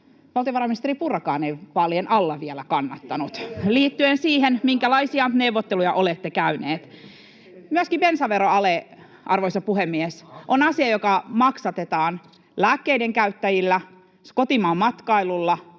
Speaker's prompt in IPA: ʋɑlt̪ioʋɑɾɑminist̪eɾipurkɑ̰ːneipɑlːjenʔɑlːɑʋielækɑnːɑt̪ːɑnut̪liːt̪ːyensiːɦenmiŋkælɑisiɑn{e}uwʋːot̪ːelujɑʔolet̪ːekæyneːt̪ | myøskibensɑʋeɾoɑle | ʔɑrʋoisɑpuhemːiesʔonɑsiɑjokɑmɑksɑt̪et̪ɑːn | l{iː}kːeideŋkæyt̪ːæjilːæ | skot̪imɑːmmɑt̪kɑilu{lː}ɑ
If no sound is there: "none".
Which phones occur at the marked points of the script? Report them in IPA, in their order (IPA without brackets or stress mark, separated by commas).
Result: e, æː, lː